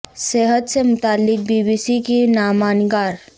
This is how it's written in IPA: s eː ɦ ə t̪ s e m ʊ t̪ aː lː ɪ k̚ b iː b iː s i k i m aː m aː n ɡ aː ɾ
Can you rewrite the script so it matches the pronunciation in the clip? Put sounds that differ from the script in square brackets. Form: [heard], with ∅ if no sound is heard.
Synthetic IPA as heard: s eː ɦ ə t̪ s e m ʊ t̪ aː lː ɪ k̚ b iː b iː s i k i [n] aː m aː n ɡ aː ɾ

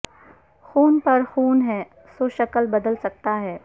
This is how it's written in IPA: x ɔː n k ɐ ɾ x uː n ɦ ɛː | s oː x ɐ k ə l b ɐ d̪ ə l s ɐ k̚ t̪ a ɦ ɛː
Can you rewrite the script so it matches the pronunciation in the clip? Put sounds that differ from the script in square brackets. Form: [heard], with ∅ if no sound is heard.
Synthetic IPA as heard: x [uː] n [p] ɐ ɾ x uː n ɦ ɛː | s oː [ʃ] ɐ k ə l b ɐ d̪ ə l s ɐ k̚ t̪ a ɦ ɛː

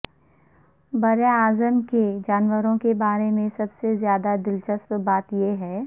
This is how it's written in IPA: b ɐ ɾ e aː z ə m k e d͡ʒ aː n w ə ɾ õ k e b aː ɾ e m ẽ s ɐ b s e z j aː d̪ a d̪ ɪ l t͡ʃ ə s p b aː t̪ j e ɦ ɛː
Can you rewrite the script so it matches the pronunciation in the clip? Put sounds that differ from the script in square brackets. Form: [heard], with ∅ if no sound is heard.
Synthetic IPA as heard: b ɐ ɾ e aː z ə m k e d͡ʒ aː n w ə ɾ õ k e b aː ɾ e m ẽ s ɐ b s e z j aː d̪ a d̪ ɪ l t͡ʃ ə s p b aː t̪ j e ɦ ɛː

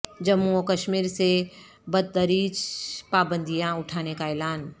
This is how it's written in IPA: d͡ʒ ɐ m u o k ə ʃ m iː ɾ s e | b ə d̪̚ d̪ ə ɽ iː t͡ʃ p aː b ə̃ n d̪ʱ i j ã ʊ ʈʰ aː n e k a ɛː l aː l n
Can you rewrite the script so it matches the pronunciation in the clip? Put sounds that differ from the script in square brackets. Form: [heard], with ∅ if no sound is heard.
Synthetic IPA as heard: d͡ʒ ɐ m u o k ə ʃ m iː ɾ s e | b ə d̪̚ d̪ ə [ɾ] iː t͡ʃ p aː b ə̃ n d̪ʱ i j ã ʊ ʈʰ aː n e k a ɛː l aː [∅] n

